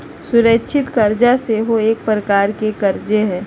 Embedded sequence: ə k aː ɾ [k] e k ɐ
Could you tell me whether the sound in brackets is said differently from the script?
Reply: no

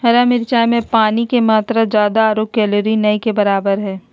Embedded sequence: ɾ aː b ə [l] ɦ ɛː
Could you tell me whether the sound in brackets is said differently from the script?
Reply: yes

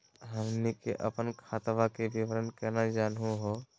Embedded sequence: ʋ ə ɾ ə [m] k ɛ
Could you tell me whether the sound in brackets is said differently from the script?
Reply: yes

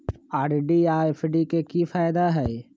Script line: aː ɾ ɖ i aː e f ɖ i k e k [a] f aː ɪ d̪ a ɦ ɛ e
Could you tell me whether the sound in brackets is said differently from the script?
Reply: yes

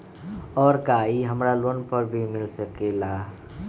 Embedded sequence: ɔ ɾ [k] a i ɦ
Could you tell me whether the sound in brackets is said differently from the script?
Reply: no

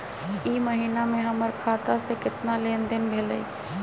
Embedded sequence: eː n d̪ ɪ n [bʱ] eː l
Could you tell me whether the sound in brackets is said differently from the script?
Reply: no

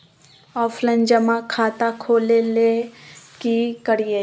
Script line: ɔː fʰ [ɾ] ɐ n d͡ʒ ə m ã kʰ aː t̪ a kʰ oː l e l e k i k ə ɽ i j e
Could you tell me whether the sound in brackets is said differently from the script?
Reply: yes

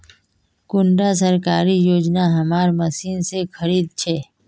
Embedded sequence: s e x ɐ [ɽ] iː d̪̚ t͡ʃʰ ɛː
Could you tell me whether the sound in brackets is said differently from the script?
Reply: yes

